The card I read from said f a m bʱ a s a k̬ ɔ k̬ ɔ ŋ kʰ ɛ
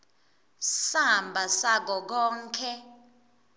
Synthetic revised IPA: s a m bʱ a s a k̬ ɔ k̬ ɔː ŋ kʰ ɛ